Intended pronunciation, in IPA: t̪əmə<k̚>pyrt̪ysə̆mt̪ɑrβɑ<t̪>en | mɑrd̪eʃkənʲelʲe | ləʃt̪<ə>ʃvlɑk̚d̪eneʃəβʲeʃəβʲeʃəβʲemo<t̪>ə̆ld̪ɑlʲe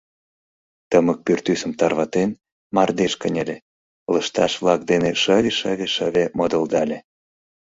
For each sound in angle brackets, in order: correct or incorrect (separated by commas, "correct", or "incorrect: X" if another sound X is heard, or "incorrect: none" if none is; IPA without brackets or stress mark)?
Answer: correct, correct, incorrect: ɑ, incorrect: d̪